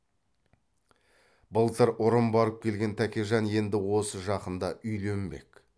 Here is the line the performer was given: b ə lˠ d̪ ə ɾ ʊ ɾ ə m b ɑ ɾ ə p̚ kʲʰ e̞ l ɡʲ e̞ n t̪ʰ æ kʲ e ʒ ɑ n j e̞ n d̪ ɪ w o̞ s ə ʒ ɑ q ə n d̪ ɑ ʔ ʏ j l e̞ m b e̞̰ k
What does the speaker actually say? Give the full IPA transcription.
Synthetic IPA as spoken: b ə lˠ t̪ ə ɾ ʊ ɾ ə m b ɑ ɾ ə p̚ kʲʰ e̞ l ɡʲ e̞ n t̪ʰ æ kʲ e ʒ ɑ n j e̞ n d̪ ɪ w o̞ s ə ʒ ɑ q ə n d̪ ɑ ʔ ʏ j l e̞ m b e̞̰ k

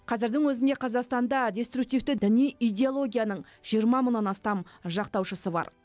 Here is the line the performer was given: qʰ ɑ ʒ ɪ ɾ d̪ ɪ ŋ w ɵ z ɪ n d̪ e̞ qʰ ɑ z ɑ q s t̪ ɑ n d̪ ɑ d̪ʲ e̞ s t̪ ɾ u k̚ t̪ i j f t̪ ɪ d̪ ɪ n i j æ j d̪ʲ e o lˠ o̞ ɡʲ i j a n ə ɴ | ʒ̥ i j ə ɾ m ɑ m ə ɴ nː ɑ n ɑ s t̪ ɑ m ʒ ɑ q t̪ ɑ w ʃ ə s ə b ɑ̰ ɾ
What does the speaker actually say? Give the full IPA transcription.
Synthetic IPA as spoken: qʰ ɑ z ɪ ɾ d̪ ɪ ŋ w ɵ z ɪ n d̪ e̞ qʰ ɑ z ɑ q s t̪ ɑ n d̪ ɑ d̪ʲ e̞ s t̪ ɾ u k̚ t̪ i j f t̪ ɪ d̪ ɪ n i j i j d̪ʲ e o lˠ o̞ ɡʲ i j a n ə ɴ | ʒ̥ i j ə ɾ m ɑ m ə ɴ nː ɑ n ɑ s t̪ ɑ m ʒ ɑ q t̪ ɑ w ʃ ə s ə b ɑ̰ ɾ

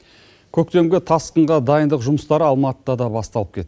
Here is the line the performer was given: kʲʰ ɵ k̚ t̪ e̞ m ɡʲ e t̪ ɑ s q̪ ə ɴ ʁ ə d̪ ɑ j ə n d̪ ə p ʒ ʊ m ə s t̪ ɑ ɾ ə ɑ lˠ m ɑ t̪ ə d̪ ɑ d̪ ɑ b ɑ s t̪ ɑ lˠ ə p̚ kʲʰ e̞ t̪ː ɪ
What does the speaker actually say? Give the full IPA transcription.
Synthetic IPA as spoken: kʲʰ ɵ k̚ t̪ e̞ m ɡʲ e t̪ʰ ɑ s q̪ ə ɴ ʁ ɑ d̪ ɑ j ə n d̪ ə q ʒ ʊ m ə s t̪ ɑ ɾ ə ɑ lˠ m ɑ t̪ ə d̪ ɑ d̪ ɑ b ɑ s t̪ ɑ lˠ ə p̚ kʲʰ e̞ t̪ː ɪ

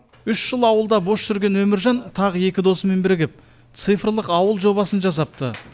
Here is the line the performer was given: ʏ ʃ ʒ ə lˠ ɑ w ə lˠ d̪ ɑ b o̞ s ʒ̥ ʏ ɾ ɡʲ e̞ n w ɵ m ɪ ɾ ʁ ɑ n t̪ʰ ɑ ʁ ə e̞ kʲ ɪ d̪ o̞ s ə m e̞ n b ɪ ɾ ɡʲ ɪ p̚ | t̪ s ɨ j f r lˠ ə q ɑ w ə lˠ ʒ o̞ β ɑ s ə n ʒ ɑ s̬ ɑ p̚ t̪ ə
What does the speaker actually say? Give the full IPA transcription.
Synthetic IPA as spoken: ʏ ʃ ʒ ə lˠ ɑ w ə lˠ d̪ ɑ b o̞ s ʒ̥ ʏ ɾ ɡʲ e̞ n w ɵ m ɪ ɾ ʒ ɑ n t̪ʰ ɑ ʁ ə e̞ kʲ ɪ d̪ o̞ s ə m e̞ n b ɪ ɾ ɡʲ ɪ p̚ | t̪ s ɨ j f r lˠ ə q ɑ w ə lˠ ʒ o̞ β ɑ s ə n ʒ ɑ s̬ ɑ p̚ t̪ ə

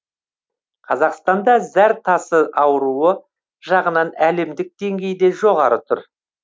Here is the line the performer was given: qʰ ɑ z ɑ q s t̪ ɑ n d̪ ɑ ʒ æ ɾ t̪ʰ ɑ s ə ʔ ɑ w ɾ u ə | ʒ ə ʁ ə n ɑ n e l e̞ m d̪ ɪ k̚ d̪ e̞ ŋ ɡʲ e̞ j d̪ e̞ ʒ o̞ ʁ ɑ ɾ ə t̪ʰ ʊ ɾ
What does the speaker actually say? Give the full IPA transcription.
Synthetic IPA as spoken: qʰ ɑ z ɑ q s t̪ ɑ n d̪ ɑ z æ ɾ t̪ʰ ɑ s ə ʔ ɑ w ɾ u ə | ʒ ɑ ʁ ə n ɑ n æ l e̞ m d̪ ɪ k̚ d̪ e̞ ŋ ɡʲ e̞ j d̪ e̞ ʒ o̞ ʁ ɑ ɾ ə t̪ʰ ʊ ɾ

